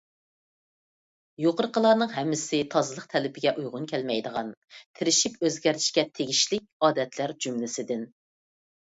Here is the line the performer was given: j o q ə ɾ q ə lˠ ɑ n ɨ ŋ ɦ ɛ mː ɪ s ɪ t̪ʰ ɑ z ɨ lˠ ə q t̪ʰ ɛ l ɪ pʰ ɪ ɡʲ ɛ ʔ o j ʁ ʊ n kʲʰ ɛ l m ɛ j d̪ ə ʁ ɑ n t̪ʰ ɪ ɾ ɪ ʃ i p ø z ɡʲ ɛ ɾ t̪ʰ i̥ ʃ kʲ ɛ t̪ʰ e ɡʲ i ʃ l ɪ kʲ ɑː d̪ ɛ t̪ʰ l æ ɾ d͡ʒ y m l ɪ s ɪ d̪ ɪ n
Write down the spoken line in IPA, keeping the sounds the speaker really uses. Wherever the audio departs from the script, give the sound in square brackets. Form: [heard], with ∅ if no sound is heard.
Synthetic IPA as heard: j o q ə ɾ q ə lˠ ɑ n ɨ ŋ ɦ ɛ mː ɪ s ɪ t̪ʰ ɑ z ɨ lˠ ə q t̪ʰ ɛ l ɪ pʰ ɪ ɡʲ ɛ ʔ [u] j ʁ ʊ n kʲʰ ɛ l m ɛ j d̪ ə ʁ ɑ n t̪ʰ ɪ ɾ ɪ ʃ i p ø z ɡʲ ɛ ɾ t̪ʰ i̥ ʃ kʲ ɛ t̪ʰ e ɡʲ i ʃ l ɪ kʲ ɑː d̪ ɛ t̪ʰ l æ ɾ d͡ʒ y m l ɪ s ɪ d̪ ɪ n